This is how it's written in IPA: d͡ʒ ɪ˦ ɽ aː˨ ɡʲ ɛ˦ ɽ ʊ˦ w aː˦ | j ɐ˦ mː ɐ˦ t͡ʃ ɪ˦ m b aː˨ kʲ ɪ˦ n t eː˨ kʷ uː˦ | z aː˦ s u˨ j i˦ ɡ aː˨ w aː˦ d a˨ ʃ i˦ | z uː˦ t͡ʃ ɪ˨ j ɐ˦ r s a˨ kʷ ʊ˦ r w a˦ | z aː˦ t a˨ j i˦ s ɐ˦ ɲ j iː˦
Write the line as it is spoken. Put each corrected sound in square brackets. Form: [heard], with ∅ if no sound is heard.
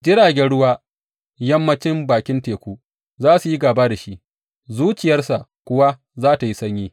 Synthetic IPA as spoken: d͡ʒ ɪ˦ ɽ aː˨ ɡʲ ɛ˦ ɽ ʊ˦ w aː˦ | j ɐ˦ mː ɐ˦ t͡ʃ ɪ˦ m b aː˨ kʲ ɪ˦ n t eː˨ kʷ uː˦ | z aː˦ s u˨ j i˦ ɡ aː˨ [b] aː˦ d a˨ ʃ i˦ | z uː˦ t͡ʃ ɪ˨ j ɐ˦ r s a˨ kʷ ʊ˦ [∅] w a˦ | z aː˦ t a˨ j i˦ s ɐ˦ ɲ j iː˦